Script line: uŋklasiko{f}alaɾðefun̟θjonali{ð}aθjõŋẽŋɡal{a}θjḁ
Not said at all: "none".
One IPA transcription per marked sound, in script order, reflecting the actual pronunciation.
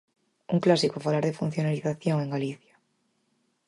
f, θ, i

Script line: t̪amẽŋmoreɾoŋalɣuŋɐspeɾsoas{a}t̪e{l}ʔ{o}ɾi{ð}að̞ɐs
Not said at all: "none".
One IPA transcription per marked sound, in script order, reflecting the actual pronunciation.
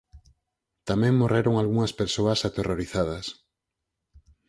a, r, o, θ

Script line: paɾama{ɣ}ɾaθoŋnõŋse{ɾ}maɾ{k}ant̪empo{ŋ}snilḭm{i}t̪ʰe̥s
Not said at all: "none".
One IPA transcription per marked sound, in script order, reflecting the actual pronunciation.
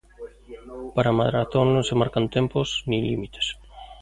ð, none, k, none, i

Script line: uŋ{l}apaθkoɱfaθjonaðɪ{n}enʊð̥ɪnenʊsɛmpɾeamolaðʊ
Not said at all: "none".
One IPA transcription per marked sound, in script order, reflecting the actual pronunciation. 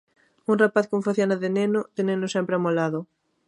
r, n

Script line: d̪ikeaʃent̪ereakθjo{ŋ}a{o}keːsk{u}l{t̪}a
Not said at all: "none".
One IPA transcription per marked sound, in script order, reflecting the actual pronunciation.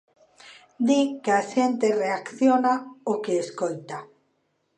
n, o, o, t̪

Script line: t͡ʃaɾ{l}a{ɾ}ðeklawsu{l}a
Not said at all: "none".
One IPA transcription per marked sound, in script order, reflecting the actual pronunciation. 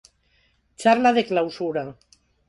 l, none, ɾ

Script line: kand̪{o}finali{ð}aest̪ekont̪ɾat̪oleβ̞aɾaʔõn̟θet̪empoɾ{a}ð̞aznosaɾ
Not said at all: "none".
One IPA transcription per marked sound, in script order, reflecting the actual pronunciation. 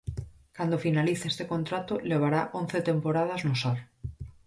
o, θ, a

